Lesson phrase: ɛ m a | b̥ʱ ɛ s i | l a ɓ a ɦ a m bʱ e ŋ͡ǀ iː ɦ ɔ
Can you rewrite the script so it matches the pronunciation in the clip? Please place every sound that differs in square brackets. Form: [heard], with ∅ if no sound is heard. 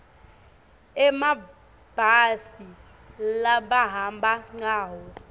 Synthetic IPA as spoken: ɛ m a | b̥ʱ [a] s i | l a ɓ a ɦ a m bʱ [a] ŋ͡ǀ [aː] ɦ ɔ